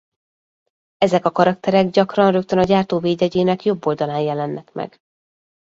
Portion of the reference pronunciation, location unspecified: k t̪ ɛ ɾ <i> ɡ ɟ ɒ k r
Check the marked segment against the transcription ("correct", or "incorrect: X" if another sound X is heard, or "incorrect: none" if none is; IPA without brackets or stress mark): incorrect: ɛ